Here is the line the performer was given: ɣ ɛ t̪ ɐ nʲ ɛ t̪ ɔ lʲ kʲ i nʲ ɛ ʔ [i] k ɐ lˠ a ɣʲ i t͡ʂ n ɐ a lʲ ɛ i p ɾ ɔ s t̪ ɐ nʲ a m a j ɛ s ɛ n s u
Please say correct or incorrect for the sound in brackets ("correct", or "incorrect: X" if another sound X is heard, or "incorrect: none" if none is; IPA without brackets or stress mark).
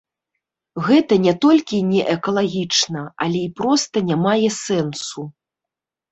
incorrect: ɛ